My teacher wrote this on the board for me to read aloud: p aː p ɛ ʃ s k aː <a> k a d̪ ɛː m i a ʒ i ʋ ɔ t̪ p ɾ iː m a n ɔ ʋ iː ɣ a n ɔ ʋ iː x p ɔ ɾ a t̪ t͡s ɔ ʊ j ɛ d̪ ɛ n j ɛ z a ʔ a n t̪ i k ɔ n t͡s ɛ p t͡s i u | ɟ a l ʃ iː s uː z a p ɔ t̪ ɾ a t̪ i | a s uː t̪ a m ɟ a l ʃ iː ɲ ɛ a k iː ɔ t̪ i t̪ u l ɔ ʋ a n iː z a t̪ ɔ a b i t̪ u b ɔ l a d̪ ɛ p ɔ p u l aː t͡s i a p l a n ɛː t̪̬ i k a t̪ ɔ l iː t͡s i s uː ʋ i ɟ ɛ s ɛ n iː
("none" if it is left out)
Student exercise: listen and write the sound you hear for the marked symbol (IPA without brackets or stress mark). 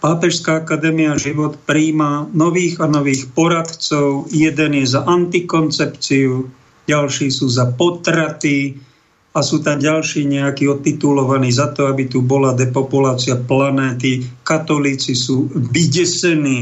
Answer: a